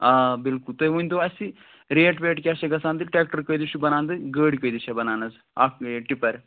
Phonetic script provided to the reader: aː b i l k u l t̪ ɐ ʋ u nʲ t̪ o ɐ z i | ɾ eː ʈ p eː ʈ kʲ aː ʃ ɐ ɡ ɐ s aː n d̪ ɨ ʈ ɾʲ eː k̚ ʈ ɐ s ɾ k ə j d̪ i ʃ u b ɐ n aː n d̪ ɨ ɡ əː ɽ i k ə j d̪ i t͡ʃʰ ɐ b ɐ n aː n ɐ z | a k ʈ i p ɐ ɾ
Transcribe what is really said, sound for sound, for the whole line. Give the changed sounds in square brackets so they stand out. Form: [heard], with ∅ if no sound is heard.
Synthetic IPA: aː b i l k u l t̪ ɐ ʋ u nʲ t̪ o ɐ [s] i | ɾ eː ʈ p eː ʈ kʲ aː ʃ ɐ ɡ ɐ s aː n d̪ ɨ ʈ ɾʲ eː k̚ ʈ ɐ [∅] ɾ k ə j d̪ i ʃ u b ɐ n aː n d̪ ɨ ɡ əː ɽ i k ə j d̪ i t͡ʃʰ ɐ b ɐ n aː n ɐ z | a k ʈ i p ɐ ɾ